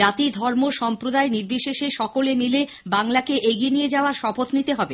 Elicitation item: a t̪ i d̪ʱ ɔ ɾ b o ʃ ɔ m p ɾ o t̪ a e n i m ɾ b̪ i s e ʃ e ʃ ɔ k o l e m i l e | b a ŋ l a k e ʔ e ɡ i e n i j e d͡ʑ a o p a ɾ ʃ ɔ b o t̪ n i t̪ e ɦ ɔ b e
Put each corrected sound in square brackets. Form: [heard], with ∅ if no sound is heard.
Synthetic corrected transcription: a t̪ i d̪ʱ ɔ ɾ [m] o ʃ ɔ m p ɾ o [d̪] a e n i [∅] ɾ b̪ i [ʃ] e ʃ e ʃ ɔ k o l e m i l e | b a ŋ l a k e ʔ e ɡ i e n i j e d͡ʑ a o [∅] a ɾ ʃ ɔ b o t̪ n i t̪ e ɦ ɔ b e